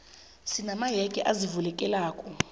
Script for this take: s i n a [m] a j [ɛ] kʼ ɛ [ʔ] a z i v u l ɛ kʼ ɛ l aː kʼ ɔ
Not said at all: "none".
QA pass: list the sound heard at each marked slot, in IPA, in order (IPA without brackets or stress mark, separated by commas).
m, ɛ, ʔ